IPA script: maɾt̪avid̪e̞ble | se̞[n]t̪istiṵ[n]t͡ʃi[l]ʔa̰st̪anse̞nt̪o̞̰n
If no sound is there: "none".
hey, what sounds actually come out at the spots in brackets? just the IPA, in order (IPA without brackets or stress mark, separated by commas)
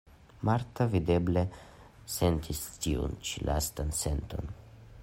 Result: n, n, l